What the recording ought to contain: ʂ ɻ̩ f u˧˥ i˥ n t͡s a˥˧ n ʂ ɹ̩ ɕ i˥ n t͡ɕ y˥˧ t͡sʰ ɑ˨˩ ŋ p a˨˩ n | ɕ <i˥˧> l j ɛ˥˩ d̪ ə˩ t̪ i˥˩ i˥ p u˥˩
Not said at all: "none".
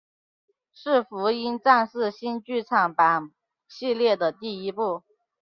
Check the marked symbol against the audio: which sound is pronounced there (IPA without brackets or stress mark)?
i˥˧